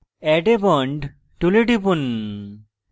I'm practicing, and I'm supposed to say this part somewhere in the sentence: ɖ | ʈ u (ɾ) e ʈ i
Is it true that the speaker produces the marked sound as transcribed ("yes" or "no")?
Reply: no